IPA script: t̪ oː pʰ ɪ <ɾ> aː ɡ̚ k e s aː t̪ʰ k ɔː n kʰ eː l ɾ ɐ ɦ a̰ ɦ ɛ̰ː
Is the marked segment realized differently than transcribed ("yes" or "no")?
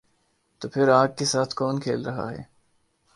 no